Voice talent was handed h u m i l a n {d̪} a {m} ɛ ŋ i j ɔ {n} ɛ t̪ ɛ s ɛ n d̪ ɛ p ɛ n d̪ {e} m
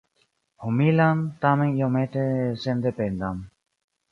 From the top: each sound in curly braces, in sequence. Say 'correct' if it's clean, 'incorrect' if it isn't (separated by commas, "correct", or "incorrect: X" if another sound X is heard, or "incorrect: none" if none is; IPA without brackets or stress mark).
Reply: incorrect: t̪, correct, incorrect: m, incorrect: a